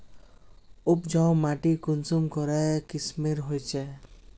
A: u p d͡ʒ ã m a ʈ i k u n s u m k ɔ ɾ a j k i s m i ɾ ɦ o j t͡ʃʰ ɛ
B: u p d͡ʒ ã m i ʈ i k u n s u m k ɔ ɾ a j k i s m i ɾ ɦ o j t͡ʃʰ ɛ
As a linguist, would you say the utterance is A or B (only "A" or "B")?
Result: A